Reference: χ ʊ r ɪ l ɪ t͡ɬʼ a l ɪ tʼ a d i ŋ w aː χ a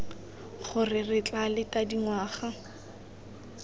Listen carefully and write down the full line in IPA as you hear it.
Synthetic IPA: χ ʊ r ɪ r ɪ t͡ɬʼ a l ɪ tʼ a d i ŋ w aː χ a